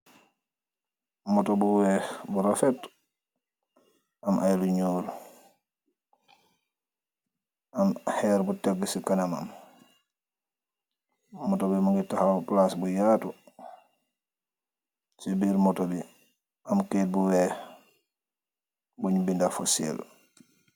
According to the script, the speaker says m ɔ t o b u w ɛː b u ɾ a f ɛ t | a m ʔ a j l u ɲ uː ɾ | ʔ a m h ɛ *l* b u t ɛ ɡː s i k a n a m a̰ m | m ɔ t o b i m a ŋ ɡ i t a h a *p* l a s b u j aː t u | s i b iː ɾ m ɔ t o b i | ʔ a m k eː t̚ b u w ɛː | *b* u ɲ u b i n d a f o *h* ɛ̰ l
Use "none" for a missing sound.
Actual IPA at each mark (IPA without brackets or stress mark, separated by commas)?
ɾ, p, b, s